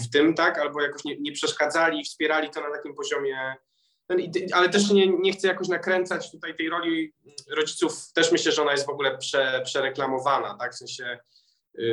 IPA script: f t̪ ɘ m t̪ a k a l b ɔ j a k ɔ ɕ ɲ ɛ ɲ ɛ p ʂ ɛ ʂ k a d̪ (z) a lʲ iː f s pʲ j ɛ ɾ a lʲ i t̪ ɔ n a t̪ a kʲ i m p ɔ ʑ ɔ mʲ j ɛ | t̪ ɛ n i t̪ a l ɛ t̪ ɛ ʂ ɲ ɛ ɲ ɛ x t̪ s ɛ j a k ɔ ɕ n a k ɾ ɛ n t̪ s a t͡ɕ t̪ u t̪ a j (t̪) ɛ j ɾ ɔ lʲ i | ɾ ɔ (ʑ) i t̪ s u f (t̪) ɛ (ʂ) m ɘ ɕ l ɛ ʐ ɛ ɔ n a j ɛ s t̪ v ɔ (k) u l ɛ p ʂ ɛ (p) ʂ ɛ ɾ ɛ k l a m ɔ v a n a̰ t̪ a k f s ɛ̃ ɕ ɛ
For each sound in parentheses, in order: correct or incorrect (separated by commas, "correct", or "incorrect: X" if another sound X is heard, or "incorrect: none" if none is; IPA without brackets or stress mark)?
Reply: correct, correct, incorrect: d͡ʑ, correct, correct, incorrect: ɡ, correct